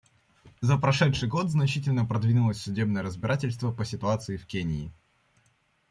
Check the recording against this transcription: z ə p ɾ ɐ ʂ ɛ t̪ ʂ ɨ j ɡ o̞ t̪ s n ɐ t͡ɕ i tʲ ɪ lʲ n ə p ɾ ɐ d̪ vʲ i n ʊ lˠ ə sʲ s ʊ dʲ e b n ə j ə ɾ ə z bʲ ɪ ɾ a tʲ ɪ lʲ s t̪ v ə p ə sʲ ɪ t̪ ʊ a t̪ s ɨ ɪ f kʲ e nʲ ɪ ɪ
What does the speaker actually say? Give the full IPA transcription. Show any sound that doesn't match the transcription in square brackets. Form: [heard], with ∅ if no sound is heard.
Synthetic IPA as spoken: z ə p ɾ ɐ ʂ ɛ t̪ ʂ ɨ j ɡ o̞ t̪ [z] n ɐ t͡ɕ i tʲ ɪ lʲ n ə p ɾ ɐ d̪ vʲ i n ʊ lˠ ə sʲ s ʊ dʲ e b n ə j ə ɾ ə z bʲ ɪ ɾ a tʲ ɪ lʲ s t̪ v ə p ə sʲ ɪ t̪ ʊ a t̪ s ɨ ɪ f kʲ e nʲ ɪ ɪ